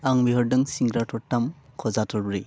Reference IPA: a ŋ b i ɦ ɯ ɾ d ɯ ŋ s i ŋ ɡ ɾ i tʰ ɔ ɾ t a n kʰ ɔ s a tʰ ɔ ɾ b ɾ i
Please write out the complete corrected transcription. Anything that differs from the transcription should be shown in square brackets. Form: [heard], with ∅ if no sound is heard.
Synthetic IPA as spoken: a ŋ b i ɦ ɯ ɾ d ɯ ŋ s i ŋ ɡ ɾ [a] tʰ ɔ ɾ t a [m] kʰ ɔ [z] a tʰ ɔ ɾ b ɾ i